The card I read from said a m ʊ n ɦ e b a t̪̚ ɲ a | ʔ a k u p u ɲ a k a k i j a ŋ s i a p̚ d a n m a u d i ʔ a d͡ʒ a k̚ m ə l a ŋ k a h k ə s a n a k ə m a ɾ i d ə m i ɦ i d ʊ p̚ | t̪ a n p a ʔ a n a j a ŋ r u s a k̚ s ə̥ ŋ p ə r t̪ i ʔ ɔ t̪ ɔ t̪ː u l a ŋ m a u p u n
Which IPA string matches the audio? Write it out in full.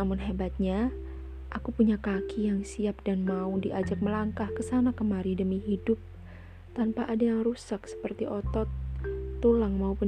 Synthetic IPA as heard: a m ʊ n ɦ e b a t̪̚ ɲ a | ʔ a k u p u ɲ a k a k i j a ŋ s i a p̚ d a n m a u d i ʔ a d͡ʒ a k̚ m ə l a ŋ k a h k ə s a n a k ə m a ɾ i d ə m i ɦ i d ʊ p̚ | t̪ a n p a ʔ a d a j a ŋ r u s a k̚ s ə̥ p ə r t̪ i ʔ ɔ t̪ ɔ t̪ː u l a ŋ m a u p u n